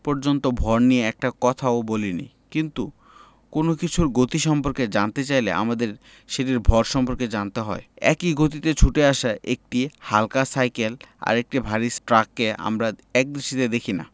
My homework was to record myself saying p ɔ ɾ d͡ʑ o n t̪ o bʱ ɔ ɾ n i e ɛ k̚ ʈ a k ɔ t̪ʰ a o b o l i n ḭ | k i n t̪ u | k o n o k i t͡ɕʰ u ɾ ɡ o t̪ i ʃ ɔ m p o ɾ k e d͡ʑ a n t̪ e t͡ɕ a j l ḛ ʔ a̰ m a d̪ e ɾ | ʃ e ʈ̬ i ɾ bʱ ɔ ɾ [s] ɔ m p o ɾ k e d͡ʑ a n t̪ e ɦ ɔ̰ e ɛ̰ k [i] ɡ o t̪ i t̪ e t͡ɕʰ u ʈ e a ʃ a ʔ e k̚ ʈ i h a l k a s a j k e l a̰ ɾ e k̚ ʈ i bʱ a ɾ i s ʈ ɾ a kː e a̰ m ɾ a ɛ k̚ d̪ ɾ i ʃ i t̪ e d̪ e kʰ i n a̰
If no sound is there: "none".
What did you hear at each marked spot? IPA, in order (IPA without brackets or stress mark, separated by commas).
ʃ, i